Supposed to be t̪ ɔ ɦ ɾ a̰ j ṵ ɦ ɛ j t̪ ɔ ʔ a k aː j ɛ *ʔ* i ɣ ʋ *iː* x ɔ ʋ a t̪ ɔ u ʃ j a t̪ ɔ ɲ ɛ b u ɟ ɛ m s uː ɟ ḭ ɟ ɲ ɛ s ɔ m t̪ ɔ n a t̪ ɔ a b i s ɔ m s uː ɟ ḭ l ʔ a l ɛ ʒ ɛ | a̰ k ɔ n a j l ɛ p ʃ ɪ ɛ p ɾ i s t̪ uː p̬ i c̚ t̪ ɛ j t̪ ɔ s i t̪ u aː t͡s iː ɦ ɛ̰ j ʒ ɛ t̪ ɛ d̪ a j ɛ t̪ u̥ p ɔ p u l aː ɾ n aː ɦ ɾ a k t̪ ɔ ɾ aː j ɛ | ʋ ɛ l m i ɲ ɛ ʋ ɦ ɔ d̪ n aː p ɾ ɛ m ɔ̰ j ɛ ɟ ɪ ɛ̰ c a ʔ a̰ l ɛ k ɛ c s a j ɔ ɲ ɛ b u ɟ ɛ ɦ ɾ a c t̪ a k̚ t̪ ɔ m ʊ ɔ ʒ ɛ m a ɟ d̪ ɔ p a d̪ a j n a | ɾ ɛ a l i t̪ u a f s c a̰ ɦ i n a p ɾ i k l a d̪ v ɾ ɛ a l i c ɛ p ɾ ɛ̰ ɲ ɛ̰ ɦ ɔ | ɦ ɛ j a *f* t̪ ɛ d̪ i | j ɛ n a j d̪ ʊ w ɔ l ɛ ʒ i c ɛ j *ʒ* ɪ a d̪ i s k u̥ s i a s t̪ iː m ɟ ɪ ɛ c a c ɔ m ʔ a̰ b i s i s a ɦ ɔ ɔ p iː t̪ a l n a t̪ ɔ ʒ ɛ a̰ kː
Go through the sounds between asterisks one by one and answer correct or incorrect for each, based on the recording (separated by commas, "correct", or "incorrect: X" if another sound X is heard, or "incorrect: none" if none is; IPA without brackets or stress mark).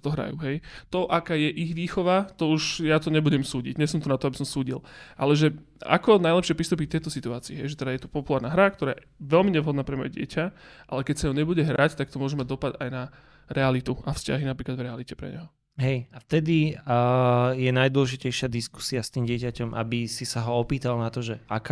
correct, correct, correct, incorrect: ʃ